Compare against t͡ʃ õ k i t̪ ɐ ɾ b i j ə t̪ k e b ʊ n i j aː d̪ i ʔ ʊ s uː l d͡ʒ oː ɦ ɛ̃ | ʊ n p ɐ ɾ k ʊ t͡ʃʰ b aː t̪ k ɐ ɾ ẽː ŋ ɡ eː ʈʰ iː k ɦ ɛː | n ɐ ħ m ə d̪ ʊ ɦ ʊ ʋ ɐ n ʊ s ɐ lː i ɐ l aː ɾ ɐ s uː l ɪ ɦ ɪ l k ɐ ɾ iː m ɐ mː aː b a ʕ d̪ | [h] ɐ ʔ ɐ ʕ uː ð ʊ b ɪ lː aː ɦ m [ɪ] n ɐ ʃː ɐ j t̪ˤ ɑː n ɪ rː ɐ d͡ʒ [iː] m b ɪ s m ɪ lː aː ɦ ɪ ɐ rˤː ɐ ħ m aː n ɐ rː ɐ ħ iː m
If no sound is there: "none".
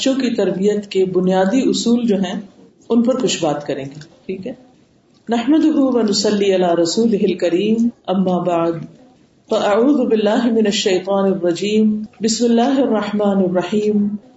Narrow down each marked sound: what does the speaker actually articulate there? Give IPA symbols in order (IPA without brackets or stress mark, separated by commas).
f, ɪ, iː